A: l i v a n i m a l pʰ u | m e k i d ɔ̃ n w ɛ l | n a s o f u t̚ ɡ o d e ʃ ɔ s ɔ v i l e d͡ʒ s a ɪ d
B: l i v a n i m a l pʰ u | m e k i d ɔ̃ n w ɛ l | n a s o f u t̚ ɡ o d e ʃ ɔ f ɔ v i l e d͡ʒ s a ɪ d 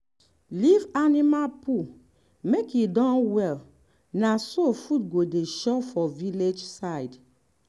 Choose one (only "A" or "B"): B